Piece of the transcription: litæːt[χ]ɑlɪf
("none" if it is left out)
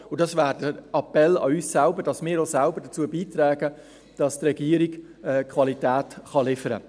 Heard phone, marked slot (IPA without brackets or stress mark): χ